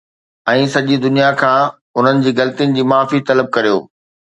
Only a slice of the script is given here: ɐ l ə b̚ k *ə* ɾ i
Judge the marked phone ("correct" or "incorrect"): incorrect